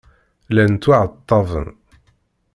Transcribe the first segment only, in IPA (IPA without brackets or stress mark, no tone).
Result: l